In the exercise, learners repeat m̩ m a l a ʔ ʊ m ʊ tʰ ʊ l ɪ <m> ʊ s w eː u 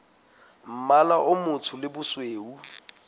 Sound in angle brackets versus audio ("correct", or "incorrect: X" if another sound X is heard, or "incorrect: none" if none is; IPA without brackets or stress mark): incorrect: b